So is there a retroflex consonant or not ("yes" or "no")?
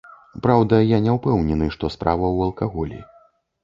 yes